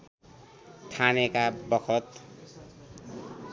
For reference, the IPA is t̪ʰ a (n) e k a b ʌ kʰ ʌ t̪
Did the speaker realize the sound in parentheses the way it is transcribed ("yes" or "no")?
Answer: yes